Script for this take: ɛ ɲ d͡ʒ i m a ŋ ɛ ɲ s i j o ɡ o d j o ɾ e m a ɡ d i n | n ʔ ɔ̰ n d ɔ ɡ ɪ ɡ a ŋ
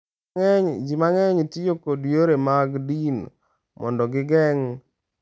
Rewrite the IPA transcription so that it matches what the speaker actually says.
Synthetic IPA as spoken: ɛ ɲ d͡ʒ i m a ŋ ɛ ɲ t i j o k o d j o ɾ e m a ɡ d i n | m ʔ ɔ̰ n d ɔ ɡ ɪ ɡ ɛ ŋ